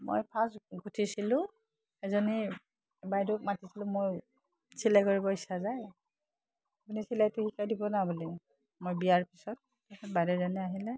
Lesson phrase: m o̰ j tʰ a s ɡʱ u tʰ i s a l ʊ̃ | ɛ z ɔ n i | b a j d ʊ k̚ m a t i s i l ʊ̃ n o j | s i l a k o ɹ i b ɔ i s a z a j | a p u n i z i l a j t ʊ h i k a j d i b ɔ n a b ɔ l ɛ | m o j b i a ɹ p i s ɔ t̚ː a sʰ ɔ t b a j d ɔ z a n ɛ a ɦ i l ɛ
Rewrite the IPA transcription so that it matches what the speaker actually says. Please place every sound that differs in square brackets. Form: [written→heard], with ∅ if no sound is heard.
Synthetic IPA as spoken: m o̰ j [tʰ→pʰ] a s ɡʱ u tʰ i s [a→i] l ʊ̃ | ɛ z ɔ n i | b a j d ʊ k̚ m a t i s i l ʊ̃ [n→m] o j | s i l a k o ɹ i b ɔ i s a z a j | a p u n i [z→s] i l a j t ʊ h i k a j d i b ɔ n a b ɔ l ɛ | m o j b i a ɹ p i s ɔ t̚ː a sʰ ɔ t b a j d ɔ z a n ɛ a ɦ i l ɛ

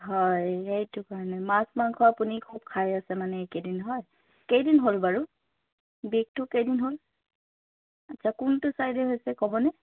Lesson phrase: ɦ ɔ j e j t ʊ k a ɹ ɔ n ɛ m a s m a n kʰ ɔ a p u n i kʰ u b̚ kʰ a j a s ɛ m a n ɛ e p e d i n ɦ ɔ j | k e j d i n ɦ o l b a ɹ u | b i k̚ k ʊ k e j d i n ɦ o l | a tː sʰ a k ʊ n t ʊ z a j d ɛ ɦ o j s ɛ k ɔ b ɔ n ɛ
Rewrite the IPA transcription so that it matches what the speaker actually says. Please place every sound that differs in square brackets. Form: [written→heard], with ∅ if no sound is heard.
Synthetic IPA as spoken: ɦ ɔ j e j t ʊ k a ɹ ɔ n ɛ m a s m a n kʰ ɔ a p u n i kʰ u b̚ kʰ a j a s ɛ m a n ɛ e [p→k] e d i n ɦ ɔ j | k e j d i n ɦ o l b a ɹ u | b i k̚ [k→t] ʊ k e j d i n ɦ o l | a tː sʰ a k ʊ n t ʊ [z→s] a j d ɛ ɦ o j s ɛ k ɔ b ɔ n ɛ

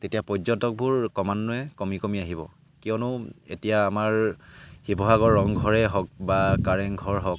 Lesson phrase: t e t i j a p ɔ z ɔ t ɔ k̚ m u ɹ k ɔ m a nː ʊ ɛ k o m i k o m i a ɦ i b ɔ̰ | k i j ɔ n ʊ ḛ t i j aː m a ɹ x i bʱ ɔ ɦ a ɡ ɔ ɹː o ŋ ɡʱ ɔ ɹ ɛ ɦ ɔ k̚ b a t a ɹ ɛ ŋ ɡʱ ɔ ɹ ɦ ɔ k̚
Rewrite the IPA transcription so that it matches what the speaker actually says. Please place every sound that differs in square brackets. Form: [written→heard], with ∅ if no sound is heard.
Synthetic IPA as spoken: t e t i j a p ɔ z ɔ t ɔ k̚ [m→b] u ɹ k ɔ m a nː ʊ ɛ k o m i k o m i a ɦ i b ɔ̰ | k i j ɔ n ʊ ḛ t i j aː m a ɹ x i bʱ ɔ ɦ a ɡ ɔ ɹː [o→ɔ] ŋ ɡʱ ɔ ɹ ɛ ɦ ɔ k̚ b a [t→k] a ɹ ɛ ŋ ɡʱ ɔ ɹ ɦ ɔ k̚

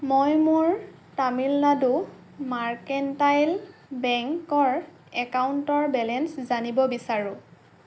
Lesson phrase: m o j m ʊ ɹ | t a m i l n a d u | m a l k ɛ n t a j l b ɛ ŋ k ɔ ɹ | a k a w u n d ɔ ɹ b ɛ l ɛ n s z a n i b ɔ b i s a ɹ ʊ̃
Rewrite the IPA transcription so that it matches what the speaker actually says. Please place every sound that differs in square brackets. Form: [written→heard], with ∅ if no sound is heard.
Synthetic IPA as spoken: m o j m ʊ ɹ | t a m i l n a d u | m a [l→ɹ] k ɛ n t a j l b ɛ ŋ k ɔ ɹ | [a→ɛ] k a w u n [d→t] ɔ ɹ b ɛ l ɛ n s z a n i b ɔ b i s a ɹ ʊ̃

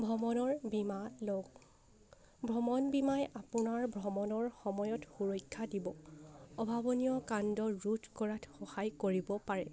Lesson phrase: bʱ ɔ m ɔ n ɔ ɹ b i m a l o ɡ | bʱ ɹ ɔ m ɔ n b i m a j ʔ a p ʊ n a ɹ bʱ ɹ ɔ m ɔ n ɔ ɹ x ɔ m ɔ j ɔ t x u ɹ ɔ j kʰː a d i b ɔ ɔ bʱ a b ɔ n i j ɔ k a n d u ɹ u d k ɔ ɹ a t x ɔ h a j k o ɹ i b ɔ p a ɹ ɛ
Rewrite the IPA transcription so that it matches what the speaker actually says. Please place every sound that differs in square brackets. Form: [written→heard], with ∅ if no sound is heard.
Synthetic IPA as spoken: bʱ ɔ m ɔ n ɔ ɹ b i m a l o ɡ | bʱ ɹ ɔ m ɔ n b i m a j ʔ a p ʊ n a ɹ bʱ ɹ ɔ m ɔ n ɔ ɹ x ɔ m ɔ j ɔ t x u ɹ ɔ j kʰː a d i b ɔ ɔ bʱ a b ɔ n i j ɔ k a n d [u→ɔ] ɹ u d k ɔ ɹ a t x ɔ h a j k o ɹ i b ɔ p a ɹ ɛ

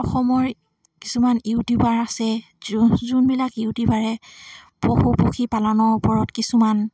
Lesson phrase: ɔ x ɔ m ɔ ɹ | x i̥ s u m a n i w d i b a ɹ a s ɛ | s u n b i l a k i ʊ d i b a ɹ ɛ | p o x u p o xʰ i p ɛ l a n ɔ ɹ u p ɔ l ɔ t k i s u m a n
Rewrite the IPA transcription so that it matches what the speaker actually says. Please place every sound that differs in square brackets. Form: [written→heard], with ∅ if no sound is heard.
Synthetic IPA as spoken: ɔ x ɔ m ɔ ɹ | [x→k] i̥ s u m a n i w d i b a ɹ a s ɛ | [s→z] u n b i l a k i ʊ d i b a ɹ ɛ | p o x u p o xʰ i p [ɛ→a] l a n ɔ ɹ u p ɔ [l→ɹ] ɔ t k i s u m a n

